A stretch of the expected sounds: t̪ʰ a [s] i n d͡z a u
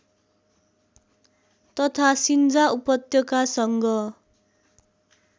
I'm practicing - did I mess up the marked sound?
no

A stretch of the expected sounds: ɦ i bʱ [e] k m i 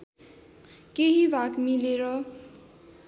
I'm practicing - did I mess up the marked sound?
yes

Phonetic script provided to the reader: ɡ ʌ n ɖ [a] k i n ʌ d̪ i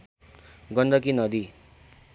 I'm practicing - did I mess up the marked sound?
yes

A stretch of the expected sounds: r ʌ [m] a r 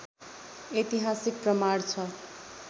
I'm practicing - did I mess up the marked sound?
no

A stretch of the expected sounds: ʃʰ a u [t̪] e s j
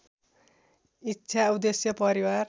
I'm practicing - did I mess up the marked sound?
yes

